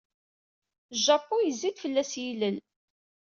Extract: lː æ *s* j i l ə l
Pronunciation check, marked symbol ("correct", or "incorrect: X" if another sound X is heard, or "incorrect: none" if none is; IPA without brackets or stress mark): correct